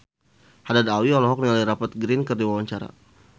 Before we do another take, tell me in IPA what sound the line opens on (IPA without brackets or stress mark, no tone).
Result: h